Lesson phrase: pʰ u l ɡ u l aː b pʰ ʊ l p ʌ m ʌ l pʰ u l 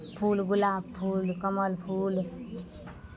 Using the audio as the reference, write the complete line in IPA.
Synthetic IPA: pʰ u l ɡ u l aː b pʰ u l k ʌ m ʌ l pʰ u l